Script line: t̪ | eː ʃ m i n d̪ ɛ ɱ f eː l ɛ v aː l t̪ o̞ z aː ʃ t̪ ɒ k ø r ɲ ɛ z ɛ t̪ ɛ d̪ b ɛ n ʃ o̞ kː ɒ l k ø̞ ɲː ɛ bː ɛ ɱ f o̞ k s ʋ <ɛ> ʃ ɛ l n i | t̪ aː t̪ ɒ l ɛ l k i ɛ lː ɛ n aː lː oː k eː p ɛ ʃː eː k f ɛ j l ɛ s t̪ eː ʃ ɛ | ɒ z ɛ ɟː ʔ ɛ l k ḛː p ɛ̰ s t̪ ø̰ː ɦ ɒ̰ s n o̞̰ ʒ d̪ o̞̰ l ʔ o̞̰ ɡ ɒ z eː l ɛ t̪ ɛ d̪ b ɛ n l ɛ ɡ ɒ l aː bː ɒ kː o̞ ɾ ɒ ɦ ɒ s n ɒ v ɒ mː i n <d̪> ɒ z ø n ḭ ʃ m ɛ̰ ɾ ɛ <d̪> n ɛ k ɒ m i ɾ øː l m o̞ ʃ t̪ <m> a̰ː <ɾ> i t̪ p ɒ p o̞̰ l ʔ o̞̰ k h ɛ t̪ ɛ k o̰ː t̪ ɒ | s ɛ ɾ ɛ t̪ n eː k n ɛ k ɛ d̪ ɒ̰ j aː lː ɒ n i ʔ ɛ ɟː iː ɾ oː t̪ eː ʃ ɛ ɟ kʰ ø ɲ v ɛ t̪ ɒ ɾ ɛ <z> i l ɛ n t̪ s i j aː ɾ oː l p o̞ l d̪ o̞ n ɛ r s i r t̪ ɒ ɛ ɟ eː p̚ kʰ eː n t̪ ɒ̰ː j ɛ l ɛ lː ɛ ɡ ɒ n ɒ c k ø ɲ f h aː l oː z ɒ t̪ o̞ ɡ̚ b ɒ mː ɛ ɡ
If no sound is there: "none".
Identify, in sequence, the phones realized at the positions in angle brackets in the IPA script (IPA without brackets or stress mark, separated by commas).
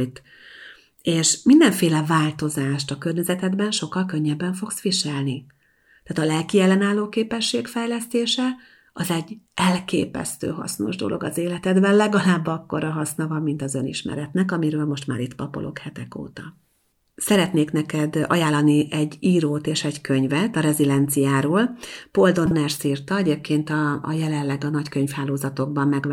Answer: i, t̪, t̪, m, ɾ, z